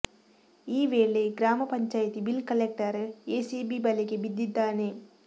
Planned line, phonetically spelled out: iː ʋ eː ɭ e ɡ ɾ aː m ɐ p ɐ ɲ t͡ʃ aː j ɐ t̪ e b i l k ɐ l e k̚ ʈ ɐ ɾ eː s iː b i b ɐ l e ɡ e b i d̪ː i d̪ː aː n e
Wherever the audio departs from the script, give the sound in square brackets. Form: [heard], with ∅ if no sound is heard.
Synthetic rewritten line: iː ʋ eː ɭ e ɡ ɾ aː m ɐ p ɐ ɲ t͡ʃ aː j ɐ t̪ [i] b i l k ɐ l e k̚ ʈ ɐ ɾ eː s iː b i b ɐ l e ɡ e b i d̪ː i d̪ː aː n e